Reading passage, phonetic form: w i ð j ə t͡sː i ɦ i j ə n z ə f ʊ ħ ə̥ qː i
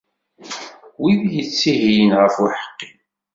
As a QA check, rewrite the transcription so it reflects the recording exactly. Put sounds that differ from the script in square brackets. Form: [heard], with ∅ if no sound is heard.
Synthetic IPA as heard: w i ð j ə t͡sː i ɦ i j ə n [ʁ] ə f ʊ ħ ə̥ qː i